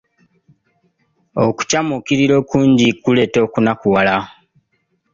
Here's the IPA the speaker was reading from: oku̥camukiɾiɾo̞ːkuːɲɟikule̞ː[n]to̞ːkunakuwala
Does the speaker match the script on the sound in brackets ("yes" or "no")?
no